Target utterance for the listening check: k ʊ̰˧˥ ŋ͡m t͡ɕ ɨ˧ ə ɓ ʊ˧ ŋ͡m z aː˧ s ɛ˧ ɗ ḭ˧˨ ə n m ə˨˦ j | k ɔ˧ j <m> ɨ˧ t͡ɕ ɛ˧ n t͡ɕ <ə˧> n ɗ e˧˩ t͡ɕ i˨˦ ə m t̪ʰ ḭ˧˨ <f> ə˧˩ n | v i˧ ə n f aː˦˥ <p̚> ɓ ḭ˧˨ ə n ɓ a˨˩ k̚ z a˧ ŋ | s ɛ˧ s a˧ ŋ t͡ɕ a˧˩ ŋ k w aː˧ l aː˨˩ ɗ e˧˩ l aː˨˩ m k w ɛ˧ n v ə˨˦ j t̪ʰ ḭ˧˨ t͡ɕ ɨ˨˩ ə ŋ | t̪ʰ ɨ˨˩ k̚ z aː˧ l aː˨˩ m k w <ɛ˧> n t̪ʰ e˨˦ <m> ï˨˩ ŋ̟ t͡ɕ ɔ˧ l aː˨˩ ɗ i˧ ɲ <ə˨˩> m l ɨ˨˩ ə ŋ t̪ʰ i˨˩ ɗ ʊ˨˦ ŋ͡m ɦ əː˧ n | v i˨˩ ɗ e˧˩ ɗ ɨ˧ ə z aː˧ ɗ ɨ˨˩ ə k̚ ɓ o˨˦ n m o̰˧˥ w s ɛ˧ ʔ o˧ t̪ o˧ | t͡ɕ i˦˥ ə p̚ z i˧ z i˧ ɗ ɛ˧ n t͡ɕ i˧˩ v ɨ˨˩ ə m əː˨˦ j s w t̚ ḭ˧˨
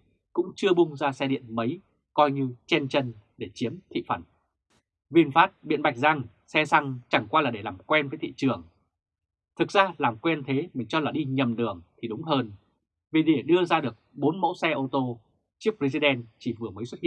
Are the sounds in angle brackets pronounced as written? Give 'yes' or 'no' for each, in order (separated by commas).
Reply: no, yes, yes, no, yes, yes, yes